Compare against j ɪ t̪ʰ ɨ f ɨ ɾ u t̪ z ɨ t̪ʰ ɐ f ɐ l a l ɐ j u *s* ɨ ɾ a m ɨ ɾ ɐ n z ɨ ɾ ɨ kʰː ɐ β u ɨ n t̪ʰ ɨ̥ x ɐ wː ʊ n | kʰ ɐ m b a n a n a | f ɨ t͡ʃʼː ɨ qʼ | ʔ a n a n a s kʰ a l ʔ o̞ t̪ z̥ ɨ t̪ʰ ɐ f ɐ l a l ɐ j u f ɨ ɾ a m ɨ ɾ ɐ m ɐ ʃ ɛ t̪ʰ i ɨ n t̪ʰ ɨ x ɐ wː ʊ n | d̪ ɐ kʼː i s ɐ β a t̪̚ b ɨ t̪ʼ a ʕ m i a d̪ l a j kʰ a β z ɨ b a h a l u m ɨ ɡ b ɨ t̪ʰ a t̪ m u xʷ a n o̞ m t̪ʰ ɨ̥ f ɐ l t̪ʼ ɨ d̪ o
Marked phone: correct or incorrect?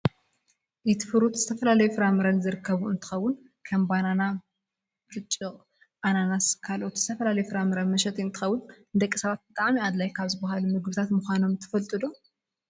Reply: incorrect